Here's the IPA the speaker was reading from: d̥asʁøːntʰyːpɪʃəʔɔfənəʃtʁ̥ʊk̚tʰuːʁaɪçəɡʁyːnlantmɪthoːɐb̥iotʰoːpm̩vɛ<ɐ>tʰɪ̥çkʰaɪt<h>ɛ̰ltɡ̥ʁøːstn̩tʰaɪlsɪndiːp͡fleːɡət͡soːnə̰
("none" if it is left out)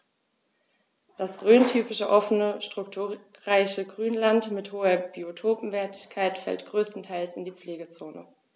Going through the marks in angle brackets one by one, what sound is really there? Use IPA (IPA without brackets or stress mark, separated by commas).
ɐ, f